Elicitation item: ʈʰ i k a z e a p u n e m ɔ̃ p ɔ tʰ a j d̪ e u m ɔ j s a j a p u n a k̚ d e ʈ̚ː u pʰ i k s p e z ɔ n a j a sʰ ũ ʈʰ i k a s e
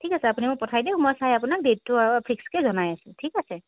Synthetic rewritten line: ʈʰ i k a s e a p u n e m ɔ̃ p ɔ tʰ a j d̪ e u m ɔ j s a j a p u n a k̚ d e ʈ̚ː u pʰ i k s k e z ɔ n a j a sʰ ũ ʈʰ i k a s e